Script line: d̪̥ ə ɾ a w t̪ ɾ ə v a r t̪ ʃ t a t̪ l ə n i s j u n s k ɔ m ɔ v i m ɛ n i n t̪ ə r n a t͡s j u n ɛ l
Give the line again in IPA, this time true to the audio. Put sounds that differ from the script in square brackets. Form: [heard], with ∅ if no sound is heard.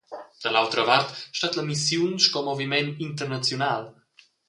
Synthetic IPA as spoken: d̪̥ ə [l] a w t̪ ɾ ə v a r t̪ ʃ t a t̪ l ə [m] i s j u n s k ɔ m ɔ v i m ɛ n i n t̪ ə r n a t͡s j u n [a] l